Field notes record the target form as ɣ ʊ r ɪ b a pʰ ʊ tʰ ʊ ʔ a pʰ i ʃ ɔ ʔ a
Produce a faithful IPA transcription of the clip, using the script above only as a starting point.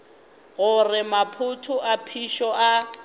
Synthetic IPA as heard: ɣ ʊ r ɪ m a pʰ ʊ tʰ ʊ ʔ a pʰ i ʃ ɔ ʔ a